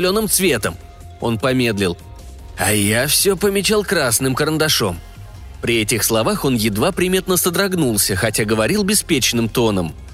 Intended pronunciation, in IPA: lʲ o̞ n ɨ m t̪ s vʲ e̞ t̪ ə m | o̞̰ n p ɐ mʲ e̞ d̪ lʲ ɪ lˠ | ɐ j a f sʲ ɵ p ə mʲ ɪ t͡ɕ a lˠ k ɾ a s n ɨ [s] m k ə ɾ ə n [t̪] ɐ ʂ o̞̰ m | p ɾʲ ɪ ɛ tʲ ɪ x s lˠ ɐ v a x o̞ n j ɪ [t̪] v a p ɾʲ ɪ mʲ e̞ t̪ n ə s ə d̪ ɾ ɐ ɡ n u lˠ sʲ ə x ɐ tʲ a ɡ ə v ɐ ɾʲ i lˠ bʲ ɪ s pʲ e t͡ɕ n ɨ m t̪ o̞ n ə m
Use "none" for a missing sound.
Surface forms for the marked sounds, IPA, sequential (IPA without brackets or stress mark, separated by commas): none, d̪, d̪